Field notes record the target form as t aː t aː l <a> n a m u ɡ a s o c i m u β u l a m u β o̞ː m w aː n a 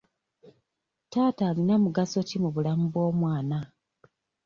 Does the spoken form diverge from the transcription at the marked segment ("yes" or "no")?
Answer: yes